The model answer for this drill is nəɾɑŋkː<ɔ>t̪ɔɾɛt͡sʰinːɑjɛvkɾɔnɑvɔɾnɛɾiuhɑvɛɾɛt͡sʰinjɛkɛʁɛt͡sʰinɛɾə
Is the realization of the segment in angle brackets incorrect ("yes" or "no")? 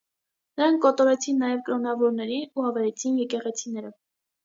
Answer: no